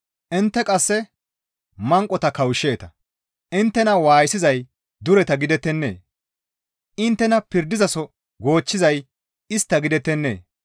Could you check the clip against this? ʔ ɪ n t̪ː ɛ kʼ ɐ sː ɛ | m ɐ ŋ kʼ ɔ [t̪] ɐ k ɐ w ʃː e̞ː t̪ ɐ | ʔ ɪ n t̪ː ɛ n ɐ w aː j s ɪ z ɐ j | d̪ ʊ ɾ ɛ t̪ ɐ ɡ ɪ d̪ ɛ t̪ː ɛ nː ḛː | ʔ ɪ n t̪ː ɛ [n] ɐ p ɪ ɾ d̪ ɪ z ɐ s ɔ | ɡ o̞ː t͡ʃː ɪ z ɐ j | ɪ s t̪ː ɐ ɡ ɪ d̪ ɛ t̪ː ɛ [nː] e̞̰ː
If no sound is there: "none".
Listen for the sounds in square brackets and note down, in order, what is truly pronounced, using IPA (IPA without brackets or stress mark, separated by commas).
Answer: t̪, n, nː